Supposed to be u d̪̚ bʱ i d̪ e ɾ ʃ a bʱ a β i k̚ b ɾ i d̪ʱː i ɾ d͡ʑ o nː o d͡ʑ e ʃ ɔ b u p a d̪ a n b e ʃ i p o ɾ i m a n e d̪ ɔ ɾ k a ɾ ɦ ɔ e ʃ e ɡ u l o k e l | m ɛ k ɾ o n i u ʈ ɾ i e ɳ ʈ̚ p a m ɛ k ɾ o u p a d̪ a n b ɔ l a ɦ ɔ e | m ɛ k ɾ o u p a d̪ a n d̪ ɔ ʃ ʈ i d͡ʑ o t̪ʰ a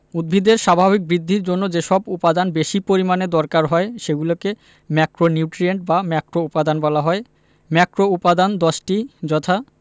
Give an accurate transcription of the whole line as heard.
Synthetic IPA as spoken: u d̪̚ bʱ i d̪ e ɾ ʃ a bʱ a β i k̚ b ɾ i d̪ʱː i ɾ d͡ʑ o nː o d͡ʑ e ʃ ɔ b u p a d̪ a n b e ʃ i p o ɾ i m a n e d̪ ɔ ɾ k a ɾ ɦ ɔ e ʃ e ɡ u l o k e | m ɛ k ɾ o n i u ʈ ɾ i e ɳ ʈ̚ b a m ɛ k ɾ o u p a d̪ a n b ɔ l a ɦ ɔ e | m ɛ k ɾ o u p a d̪ a n d̪ ɔ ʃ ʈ i d͡ʑ ɔ t̪ʰ a